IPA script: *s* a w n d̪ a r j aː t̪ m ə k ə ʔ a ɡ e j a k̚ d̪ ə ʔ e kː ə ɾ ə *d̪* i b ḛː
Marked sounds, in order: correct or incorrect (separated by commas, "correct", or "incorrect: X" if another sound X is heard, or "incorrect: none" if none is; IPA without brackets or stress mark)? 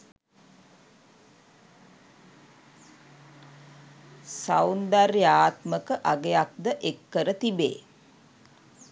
correct, incorrect: t̪